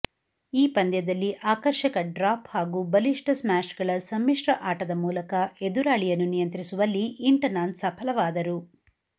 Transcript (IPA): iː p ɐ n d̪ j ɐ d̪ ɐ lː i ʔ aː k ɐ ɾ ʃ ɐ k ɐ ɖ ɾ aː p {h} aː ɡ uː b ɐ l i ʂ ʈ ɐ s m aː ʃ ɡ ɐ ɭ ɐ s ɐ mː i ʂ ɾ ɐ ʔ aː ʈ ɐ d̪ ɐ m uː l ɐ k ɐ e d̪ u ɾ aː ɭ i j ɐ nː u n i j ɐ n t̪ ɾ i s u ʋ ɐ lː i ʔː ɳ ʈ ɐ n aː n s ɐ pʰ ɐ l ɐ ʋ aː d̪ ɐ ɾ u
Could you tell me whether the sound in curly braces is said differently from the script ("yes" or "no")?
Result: no